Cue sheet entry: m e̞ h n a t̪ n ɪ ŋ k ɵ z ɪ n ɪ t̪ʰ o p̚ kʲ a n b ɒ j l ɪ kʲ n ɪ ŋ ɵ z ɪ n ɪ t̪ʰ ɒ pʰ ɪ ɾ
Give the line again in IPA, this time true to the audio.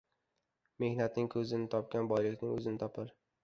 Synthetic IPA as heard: m e̞ h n a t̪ n ɪ ŋ kʰ ɵ z ɪ n ɪ t̪ʰ ɒ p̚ kʲ a n b ɒ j l ɪ kʲ n ɪ ŋ ɵ z ɪ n ɪ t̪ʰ ɒ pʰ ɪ ɾ